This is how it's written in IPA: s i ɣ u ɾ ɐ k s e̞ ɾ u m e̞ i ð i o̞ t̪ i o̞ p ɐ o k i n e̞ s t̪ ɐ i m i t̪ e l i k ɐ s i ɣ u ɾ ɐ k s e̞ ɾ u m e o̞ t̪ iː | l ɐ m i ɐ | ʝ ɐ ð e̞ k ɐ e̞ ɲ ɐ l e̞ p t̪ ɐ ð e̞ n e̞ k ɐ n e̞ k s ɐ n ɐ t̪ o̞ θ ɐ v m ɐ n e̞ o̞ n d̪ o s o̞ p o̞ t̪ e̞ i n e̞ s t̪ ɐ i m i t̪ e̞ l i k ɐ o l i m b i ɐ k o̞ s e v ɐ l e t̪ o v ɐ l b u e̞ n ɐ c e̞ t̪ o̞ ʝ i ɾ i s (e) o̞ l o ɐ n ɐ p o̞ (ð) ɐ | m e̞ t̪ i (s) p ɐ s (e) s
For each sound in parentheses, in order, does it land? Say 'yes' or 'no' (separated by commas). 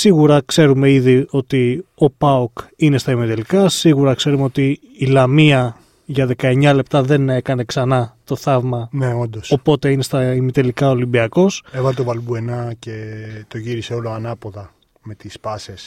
yes, yes, yes, yes